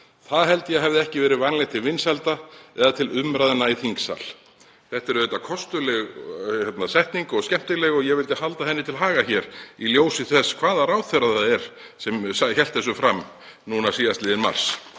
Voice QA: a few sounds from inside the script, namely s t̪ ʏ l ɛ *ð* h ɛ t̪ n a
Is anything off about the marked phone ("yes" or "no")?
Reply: yes